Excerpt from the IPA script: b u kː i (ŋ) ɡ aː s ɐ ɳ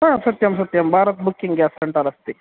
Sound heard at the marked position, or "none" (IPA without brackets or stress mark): ŋ